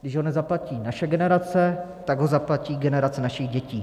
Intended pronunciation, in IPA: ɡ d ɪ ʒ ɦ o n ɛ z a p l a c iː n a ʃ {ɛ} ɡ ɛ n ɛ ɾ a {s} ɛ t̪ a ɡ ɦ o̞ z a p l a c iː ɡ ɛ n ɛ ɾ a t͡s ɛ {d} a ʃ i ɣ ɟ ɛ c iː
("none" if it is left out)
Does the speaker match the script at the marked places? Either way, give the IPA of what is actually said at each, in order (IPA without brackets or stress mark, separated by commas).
ɛ, t͡s, n